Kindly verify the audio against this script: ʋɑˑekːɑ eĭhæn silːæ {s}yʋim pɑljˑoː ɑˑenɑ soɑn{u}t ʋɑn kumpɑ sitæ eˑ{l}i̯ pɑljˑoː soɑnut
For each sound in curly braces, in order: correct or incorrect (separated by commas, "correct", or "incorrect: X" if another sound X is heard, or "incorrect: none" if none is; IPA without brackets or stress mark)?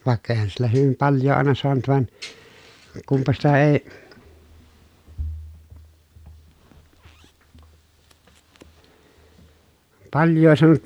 incorrect: h, correct, incorrect: none